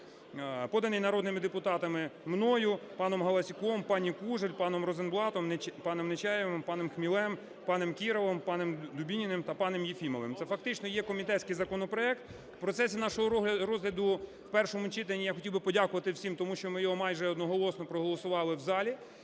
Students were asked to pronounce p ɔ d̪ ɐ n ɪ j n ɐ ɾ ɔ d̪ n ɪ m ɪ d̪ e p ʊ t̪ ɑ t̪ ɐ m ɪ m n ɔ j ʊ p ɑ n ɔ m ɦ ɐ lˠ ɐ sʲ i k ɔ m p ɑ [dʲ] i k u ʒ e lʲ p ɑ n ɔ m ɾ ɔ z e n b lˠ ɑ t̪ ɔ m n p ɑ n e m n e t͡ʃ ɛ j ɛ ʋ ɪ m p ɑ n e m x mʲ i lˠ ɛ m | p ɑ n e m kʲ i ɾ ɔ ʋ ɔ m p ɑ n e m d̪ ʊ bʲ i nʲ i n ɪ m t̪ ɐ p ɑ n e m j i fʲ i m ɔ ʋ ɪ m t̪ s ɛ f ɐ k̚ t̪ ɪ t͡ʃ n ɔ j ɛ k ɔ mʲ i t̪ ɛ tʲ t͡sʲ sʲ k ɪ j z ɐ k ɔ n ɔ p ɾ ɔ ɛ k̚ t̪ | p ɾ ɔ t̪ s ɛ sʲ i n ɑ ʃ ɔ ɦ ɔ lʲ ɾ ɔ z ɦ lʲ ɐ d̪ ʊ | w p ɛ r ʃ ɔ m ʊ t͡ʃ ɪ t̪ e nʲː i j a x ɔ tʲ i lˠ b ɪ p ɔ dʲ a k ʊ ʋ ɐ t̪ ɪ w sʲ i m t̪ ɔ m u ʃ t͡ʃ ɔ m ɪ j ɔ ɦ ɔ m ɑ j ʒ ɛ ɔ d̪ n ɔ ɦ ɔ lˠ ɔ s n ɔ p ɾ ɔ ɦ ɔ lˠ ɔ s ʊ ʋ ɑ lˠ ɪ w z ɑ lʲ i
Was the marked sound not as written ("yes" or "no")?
yes